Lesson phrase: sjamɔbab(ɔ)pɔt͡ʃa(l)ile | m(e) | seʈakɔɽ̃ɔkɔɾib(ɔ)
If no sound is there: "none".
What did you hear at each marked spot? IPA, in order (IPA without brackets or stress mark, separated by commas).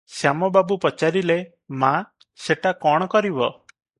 u, ɾ, a, ɔ